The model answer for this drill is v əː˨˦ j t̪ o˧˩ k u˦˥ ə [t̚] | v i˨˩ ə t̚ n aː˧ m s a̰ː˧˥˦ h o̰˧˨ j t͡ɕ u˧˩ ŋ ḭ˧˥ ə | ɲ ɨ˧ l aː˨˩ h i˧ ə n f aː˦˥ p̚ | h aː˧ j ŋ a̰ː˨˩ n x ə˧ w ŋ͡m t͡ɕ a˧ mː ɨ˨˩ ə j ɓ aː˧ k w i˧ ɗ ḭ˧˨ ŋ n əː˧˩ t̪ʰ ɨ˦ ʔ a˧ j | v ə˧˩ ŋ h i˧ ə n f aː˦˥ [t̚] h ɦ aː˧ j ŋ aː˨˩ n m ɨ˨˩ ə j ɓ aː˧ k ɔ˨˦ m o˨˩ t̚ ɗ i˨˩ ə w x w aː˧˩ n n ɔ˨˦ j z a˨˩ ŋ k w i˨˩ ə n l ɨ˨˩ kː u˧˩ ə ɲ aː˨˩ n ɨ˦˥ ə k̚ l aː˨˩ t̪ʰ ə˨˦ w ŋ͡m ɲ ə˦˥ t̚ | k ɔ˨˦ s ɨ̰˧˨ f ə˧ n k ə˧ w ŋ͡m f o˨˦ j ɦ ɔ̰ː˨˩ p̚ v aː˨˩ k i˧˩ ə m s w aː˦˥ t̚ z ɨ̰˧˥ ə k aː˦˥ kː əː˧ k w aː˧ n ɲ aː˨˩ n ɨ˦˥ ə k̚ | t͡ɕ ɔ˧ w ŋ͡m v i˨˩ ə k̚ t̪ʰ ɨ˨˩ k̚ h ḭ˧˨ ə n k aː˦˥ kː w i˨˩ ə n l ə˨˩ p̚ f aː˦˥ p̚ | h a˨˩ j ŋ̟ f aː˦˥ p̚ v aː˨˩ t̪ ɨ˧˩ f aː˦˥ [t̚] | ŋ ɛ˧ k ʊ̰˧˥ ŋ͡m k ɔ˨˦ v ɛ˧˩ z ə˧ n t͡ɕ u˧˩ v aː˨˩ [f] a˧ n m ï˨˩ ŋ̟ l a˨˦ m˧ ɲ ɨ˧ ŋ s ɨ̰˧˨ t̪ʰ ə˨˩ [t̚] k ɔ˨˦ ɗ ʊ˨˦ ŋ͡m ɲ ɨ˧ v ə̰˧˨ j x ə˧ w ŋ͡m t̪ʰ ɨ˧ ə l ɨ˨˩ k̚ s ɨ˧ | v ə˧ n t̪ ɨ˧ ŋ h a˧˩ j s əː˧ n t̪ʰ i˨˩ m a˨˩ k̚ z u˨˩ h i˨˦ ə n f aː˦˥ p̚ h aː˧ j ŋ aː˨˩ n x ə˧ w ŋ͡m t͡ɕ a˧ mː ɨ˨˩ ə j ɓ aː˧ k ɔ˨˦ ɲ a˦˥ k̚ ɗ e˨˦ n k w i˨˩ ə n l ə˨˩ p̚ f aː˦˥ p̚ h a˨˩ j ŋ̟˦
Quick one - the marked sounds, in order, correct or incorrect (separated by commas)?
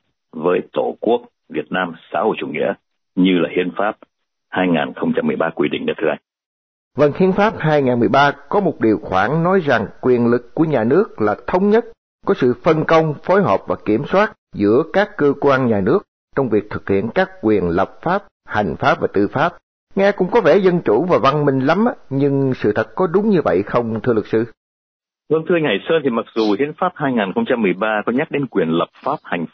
incorrect, incorrect, incorrect, incorrect, correct